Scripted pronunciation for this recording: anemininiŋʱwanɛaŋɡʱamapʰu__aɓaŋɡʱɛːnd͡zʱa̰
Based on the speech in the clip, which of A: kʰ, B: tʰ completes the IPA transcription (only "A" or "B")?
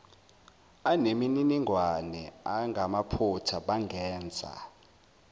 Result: B